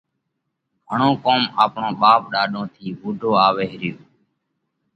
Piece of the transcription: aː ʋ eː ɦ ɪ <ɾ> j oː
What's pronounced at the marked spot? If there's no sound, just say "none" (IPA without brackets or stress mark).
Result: ɾ